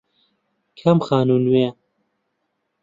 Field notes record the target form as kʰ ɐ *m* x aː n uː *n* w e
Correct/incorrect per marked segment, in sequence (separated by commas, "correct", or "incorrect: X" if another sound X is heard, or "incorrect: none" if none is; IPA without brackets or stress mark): correct, correct